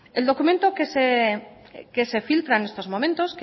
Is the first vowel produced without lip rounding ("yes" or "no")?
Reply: yes